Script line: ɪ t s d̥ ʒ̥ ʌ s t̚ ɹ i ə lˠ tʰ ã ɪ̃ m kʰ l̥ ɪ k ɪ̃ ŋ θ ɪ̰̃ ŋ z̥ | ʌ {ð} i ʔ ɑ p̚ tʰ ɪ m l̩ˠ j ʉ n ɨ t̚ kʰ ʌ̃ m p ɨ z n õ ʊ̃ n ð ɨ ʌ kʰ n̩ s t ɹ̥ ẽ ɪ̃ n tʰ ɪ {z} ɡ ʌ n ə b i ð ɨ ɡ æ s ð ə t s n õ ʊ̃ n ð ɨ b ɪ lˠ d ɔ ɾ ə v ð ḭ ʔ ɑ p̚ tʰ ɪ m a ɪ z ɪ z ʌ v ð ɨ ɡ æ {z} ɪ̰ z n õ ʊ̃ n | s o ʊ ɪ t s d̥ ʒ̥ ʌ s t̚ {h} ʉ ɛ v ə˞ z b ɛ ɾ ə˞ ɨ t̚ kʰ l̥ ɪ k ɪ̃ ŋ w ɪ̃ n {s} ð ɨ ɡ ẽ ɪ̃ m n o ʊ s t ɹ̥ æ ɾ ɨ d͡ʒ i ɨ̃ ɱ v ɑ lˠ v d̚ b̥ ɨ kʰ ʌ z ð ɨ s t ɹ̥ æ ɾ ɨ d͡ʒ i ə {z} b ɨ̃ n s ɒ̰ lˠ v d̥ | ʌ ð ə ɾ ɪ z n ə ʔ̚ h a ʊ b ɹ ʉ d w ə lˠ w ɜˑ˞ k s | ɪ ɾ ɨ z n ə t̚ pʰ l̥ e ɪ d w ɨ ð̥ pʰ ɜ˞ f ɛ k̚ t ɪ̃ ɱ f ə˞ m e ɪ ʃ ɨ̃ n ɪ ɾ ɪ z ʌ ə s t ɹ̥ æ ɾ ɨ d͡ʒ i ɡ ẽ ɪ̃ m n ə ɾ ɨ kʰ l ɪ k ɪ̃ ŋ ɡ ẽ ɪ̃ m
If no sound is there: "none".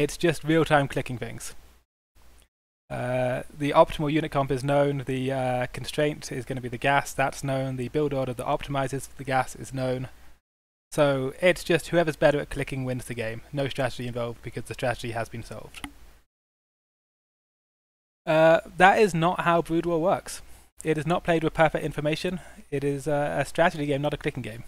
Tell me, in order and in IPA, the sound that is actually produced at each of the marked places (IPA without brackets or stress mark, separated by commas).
ð, z, s, h, z, z